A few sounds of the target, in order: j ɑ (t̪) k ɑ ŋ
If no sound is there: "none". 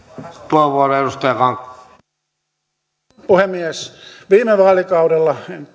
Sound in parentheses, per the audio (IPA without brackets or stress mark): none